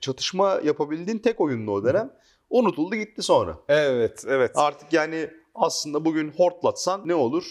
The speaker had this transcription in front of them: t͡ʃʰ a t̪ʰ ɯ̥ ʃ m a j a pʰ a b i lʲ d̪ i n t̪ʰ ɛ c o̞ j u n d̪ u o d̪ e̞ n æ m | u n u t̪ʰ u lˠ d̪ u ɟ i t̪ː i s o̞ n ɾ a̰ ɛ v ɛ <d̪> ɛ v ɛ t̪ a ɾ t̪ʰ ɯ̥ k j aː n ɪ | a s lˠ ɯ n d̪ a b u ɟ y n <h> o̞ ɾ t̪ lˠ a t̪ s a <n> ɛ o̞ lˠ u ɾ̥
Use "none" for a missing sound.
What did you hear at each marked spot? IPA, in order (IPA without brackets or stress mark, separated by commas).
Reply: t̪, h, nː